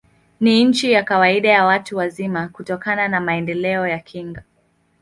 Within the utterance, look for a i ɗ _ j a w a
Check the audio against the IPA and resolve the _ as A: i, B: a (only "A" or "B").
B